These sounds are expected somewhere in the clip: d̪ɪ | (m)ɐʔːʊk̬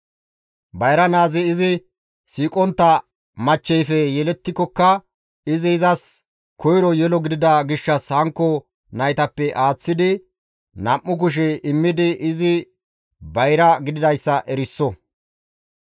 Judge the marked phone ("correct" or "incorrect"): incorrect